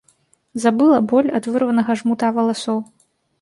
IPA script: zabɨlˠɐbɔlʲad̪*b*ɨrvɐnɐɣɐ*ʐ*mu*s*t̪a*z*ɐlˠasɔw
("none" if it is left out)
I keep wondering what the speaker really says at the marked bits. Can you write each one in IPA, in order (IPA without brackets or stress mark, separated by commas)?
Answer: v, ʐ, none, v